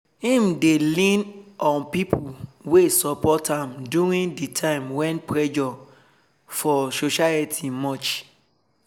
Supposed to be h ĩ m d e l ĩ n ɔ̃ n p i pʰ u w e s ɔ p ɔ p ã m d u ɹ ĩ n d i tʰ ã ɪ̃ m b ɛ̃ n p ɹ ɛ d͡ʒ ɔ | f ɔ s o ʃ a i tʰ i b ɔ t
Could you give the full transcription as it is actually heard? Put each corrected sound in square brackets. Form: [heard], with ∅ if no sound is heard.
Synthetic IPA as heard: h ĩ m d e l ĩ n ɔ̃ n p i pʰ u w e s ɔ p ɔ [t] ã m d u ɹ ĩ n d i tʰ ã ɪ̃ m [w] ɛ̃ n p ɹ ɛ d͡ʒ ɔ | f ɔ s o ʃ a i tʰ i [m] ɔ [t͡ʃ]